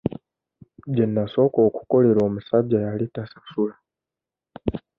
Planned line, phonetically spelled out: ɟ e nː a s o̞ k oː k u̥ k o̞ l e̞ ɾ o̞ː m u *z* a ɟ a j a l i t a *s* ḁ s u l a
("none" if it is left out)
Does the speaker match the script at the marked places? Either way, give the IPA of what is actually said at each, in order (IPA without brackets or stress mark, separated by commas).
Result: s, s